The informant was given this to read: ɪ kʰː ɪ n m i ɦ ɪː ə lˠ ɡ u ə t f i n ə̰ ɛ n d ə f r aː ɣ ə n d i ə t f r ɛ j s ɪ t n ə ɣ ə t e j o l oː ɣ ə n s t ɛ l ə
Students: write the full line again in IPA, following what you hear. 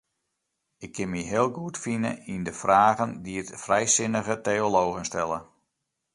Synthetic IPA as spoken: ɪ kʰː ɪ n m i ɦ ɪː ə lˠ ɡ u ə t f i n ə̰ i n d ə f r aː ɣ ə n d i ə t f r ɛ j s ɪ n ə ɣ ə t e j o l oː ɣ ə n s t ɛ l ə